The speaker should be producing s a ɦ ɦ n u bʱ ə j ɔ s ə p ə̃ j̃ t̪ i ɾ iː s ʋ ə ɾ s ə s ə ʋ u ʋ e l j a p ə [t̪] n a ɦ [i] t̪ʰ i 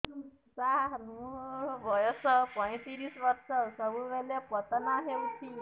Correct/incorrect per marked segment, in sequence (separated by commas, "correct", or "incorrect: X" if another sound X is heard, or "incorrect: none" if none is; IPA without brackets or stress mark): correct, incorrect: e